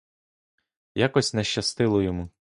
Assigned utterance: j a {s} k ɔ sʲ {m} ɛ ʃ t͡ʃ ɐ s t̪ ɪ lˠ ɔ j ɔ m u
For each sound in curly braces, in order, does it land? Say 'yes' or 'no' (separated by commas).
no, no